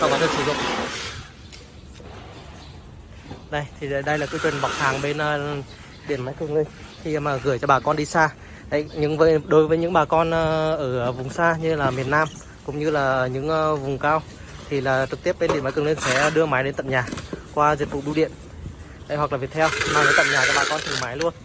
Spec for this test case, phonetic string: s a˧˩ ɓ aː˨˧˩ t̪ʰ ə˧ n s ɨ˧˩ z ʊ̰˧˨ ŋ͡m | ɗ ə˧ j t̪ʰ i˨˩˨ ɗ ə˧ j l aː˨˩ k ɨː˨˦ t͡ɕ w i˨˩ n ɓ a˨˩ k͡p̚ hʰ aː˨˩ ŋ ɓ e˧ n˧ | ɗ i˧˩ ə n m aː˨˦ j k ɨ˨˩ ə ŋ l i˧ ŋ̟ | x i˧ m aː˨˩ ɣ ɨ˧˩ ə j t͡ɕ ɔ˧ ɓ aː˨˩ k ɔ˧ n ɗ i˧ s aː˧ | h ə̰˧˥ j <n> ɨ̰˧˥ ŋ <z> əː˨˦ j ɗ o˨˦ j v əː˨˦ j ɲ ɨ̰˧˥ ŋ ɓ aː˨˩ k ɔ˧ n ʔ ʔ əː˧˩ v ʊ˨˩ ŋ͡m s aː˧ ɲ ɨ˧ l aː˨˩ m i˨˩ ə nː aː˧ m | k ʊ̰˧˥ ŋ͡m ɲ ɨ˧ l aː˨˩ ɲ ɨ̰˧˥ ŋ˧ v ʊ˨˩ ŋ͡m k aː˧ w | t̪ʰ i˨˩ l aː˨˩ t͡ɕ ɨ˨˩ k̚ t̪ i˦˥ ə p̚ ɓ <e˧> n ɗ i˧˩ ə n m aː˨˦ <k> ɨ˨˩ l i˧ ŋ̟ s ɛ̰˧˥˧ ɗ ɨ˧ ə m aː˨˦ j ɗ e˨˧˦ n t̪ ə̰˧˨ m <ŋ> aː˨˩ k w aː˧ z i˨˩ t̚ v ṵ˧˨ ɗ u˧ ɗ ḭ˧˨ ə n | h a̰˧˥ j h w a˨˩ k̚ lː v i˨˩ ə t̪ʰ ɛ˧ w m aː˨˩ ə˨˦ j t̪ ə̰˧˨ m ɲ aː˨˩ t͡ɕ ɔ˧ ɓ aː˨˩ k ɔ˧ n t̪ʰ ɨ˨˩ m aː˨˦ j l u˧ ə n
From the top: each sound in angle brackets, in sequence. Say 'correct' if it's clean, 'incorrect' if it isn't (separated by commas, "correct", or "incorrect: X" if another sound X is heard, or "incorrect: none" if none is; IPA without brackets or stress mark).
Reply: incorrect: ɲ, incorrect: v, correct, correct, incorrect: ɲ